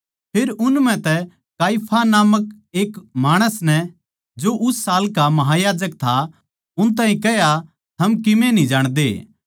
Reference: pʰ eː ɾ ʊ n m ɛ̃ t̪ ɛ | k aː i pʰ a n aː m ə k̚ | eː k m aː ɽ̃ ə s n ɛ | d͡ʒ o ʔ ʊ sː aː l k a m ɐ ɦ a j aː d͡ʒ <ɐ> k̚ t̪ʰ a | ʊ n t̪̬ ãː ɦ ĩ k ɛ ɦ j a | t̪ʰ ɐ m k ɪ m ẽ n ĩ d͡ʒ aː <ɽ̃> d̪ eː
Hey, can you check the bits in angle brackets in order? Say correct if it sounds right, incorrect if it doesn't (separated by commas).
incorrect, correct